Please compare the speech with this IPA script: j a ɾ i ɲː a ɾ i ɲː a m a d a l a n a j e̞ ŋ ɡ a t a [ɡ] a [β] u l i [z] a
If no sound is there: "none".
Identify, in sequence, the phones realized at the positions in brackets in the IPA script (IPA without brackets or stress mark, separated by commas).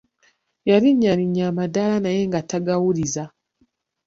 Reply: ɡ, w, z